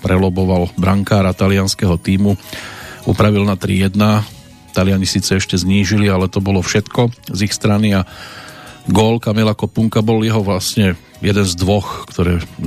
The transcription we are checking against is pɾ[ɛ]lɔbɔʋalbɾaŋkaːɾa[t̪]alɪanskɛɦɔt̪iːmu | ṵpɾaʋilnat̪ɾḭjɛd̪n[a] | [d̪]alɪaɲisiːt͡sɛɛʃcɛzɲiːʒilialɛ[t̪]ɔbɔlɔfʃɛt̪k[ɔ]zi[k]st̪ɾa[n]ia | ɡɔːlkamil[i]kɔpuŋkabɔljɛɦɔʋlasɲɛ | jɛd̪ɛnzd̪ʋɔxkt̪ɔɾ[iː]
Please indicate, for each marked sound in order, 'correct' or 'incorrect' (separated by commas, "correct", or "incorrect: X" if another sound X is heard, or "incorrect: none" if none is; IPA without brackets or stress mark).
correct, correct, correct, incorrect: t̪, correct, correct, incorrect: x, correct, incorrect: a, incorrect: ɛː